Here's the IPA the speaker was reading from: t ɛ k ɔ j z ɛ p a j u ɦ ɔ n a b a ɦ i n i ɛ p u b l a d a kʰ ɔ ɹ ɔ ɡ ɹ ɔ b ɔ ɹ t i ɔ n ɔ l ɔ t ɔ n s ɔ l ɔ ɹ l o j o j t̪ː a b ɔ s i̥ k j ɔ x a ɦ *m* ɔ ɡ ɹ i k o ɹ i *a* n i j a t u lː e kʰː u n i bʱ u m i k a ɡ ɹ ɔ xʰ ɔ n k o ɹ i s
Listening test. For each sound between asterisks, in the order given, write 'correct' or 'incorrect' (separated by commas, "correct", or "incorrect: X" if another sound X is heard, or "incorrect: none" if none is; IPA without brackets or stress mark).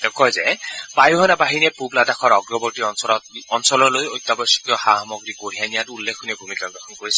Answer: correct, correct